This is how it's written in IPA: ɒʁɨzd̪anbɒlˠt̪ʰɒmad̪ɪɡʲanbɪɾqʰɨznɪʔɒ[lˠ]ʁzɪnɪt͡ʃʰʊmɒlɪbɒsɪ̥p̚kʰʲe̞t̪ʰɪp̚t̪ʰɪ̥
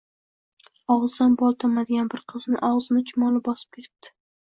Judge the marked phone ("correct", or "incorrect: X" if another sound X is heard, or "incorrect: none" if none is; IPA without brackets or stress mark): incorrect: none